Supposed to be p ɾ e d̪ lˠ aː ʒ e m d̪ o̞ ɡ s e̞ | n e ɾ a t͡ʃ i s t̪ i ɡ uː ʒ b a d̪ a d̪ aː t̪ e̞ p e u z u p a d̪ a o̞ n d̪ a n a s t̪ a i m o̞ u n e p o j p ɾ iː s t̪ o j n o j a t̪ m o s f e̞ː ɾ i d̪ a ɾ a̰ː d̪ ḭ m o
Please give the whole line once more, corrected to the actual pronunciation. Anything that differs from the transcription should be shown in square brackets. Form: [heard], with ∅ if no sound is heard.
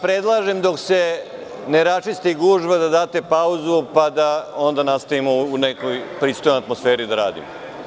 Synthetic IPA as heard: p ɾ e d̪ lˠ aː ʒ e m d̪ o̞ [k] s e̞ | n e ɾ a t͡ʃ i s t̪ i ɡ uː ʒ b a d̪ a d̪ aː t̪ e̞ p [a] u z u p a d̪ a o̞ n d̪ a n a s t̪ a i m o̞ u n e [k] o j p ɾ iː s t̪ o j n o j a t̪ m o s f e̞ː ɾ i d̪ a ɾ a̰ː d̪ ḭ m o